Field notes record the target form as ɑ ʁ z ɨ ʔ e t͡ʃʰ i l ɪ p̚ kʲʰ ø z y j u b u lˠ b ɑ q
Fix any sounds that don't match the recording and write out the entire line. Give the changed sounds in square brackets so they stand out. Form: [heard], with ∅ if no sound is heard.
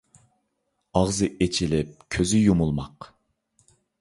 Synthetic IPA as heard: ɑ ʁ z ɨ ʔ e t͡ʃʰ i l ɪ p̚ kʲʰ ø z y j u [m] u lˠ [m] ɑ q